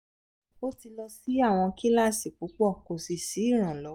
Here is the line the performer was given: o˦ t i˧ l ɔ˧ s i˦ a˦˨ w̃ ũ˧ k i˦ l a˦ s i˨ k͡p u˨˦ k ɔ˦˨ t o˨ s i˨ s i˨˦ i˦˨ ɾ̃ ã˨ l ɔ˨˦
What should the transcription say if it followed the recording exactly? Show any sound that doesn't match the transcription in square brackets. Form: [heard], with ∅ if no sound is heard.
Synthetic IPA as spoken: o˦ t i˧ l ɔ˧ s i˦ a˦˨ w̃ [ɔ̃˧] k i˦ l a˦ s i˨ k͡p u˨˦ [k͡p] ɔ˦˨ [k] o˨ s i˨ s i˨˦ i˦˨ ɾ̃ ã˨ l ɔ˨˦